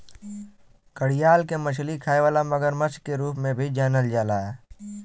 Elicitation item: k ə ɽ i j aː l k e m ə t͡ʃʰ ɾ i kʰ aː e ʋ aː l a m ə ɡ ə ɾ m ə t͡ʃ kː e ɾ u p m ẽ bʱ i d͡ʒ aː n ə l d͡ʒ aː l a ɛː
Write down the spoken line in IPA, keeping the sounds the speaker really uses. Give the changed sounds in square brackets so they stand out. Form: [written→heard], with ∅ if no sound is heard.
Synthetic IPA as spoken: k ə ɽ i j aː l k e m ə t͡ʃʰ [ɾ→l] i kʰ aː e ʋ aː l a m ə ɡ ə ɾ m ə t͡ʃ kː e ɾ [u→uː] p m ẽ bʱ i d͡ʒ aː n ə l d͡ʒ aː l a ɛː